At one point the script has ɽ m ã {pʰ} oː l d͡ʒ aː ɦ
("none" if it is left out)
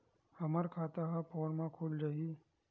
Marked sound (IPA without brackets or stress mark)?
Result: kʰ